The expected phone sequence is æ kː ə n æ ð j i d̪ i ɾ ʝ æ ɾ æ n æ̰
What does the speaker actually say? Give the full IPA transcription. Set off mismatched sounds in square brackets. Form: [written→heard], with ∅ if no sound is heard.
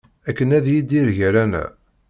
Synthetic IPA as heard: æ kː ə n æ ð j i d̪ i ɾ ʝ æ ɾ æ n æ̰

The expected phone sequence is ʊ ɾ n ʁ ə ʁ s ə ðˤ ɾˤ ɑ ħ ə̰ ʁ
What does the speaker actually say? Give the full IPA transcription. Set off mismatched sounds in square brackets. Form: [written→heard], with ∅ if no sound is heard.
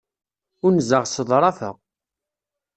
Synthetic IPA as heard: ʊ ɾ n [ʁ→z] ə ʁ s ə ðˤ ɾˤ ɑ [ħ→f] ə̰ ʁ

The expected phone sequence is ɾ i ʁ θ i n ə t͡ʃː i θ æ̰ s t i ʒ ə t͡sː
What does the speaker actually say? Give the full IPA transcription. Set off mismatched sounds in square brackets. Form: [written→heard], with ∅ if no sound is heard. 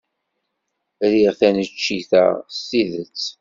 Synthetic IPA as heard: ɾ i ʁ θ [i→æ] n ə t͡ʃː i θ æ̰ s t i [ʒ→ð] ə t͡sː

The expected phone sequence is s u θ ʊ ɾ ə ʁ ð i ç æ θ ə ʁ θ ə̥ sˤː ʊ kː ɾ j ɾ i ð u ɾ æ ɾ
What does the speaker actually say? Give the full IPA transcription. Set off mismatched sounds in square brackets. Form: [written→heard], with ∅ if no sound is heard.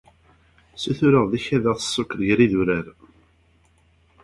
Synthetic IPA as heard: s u θ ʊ ɾ ə ʁ ð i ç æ [θ→ð] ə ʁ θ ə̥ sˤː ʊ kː ɾ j ɾ i ð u ɾ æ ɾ

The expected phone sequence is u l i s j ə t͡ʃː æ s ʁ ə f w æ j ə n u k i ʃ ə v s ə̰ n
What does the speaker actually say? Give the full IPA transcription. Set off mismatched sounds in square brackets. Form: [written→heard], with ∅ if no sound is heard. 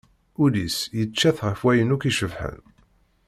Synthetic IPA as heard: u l i s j ə t͡ʃː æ [s→θ] ʁ ə f w æ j ə n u k i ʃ ə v [s→ħ] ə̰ n

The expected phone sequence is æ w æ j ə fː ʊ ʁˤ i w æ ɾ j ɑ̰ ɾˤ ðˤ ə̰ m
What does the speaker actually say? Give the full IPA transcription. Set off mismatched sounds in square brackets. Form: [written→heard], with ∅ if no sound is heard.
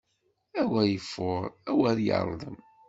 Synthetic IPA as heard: æ w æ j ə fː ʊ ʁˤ [i→æ] w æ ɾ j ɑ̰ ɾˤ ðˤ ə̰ m

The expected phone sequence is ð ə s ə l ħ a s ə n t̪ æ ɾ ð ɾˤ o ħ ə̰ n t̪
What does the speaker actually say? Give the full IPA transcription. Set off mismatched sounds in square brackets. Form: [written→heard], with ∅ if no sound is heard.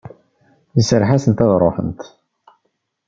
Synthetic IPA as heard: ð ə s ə [l→ɾ] ħ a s ə n t̪ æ [ɾ→∅] ð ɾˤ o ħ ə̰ n t̪

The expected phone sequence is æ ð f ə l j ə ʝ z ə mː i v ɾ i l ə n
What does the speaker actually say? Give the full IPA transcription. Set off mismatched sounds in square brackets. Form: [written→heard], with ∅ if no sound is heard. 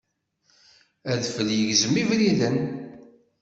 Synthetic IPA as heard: æ ð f ə l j ə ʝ z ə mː i v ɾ i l ə n

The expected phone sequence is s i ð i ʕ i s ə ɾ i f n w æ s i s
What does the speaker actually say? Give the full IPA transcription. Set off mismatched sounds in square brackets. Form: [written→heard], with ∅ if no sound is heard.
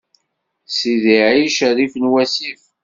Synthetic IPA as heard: s i ð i ʕ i [s→ʃ] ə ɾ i f n w æ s i [s→f]

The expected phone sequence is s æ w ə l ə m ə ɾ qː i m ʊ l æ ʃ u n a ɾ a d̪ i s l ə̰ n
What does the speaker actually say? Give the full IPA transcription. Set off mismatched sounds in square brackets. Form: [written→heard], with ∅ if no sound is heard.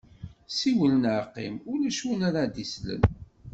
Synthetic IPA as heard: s [æ→i] w ə l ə [m→n] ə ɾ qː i m ʊ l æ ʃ u n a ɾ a d̪ i s l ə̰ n

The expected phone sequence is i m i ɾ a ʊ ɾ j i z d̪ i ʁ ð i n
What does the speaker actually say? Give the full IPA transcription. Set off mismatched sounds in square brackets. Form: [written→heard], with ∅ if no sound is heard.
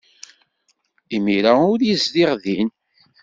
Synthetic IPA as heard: i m i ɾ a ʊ ɾ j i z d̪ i ʁ ð i n

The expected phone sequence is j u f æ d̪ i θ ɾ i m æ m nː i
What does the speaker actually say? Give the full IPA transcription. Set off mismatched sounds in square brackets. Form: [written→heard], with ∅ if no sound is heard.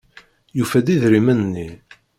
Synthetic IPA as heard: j u f æ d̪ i [θ→ð] ɾ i m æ [m→n] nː i

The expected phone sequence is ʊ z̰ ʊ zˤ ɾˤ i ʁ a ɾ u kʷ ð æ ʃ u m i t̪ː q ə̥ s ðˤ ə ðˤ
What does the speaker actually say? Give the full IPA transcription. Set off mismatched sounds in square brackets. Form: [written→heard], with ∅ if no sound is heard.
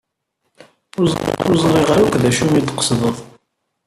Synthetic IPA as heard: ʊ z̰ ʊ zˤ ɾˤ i ʁ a ɾ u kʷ ð æ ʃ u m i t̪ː q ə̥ s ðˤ ə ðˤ

